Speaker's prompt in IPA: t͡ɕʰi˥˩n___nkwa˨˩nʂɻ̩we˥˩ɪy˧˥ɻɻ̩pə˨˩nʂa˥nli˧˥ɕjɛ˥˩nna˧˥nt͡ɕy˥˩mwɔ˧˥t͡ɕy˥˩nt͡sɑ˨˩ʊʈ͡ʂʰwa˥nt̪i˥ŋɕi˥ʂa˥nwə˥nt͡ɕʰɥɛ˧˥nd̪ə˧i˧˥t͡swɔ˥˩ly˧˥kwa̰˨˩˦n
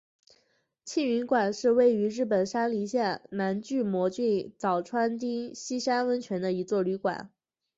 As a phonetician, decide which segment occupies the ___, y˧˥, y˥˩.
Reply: y˧˥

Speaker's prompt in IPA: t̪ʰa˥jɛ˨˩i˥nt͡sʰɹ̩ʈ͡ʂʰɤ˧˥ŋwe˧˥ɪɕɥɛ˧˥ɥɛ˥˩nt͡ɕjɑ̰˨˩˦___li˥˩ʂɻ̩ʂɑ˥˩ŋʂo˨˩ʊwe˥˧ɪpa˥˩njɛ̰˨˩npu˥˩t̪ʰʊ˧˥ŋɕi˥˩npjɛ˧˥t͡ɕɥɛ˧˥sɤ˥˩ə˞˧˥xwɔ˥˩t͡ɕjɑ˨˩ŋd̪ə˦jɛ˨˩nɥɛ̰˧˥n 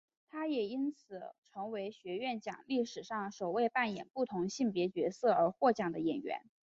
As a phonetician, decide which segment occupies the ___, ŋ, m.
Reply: ŋ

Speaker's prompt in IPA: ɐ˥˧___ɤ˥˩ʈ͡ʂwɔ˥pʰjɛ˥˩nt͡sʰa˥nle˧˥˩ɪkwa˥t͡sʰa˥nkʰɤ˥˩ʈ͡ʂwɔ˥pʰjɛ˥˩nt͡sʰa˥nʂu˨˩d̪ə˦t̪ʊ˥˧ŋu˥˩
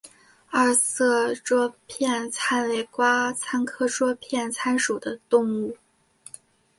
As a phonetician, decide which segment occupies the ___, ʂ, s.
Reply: s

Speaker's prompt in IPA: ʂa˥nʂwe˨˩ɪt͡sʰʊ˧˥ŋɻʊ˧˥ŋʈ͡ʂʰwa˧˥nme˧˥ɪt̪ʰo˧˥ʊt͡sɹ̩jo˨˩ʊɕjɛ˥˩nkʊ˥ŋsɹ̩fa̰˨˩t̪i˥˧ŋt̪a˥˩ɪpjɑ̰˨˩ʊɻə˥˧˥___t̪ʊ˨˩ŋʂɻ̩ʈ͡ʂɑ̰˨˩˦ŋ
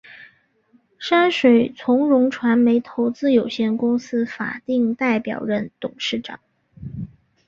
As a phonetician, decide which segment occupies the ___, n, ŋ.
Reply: n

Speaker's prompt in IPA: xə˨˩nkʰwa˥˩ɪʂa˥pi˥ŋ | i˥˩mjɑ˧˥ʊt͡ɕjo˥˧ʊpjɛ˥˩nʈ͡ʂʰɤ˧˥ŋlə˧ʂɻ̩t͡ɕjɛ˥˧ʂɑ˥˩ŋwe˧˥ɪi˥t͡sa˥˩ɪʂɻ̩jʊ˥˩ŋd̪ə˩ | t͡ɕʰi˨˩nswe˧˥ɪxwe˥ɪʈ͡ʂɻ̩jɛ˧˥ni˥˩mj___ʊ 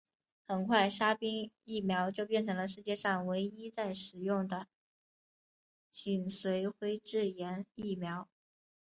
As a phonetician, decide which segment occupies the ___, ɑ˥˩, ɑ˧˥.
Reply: ɑ˧˥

